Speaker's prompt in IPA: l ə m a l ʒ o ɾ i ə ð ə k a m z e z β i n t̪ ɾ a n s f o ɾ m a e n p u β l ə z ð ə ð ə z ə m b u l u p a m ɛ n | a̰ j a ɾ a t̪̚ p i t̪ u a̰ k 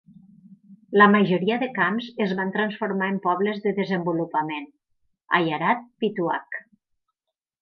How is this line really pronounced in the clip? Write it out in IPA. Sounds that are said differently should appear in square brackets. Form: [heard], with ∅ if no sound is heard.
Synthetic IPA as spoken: l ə m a [∅] ʒ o ɾ i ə ð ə k a m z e z β [a] n t̪ ɾ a n s f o ɾ m a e [m] p [ɔ] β l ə z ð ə ð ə z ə m b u l u p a m [e] n | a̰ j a ɾ a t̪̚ p i t̪ u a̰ k

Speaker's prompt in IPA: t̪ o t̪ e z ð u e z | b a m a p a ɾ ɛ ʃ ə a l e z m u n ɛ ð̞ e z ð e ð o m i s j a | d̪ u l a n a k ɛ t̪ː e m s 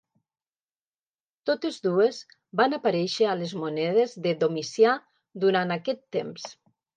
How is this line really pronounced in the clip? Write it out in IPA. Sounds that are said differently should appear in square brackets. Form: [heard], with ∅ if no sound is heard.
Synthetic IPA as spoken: t̪ o t̪ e z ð u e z | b a [n] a p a ɾ ɛ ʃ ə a l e z m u n ɛ ð̞ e z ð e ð o m i s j a | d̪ u [ɾ] a n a k ɛ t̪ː e m s

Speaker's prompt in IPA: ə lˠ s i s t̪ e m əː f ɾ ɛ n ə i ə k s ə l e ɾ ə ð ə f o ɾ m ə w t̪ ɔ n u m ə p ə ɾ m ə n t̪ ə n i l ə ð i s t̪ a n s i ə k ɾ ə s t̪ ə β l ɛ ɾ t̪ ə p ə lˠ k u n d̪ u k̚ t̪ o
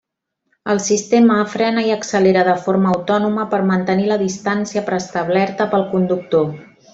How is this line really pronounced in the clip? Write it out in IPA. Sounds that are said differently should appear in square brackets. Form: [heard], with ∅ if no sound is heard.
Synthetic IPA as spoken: ə lˠ s i s t̪ e m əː f ɾ ɛ n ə i ə k s ə l e ɾ ə ð ə f o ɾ m [əː] w t̪ ɔ n u m ə p ə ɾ m ə n t̪ ə n i l ə ð i s t̪ a n s i ə [p] ɾ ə s t̪ ə β l ɛ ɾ t̪ ə p ə lˠ k u n d̪ u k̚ t̪ o

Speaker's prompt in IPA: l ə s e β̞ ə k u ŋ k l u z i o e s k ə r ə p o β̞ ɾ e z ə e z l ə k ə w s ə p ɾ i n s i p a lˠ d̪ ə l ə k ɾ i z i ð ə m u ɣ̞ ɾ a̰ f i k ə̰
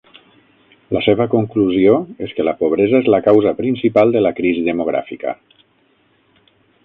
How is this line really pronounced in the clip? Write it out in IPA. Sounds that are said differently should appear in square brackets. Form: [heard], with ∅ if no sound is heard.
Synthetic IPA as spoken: l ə s e β̞ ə k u ŋ k l u z i o e s k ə [l] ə p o β̞ ɾ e z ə e z l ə k [a] w [z] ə p ɾ i n s i p a lˠ d̪ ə l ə k ɾ i z i ð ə m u ɣ̞ ɾ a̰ f i k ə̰

